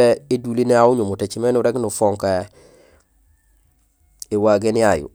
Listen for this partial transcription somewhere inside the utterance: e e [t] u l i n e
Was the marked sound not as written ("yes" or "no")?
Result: yes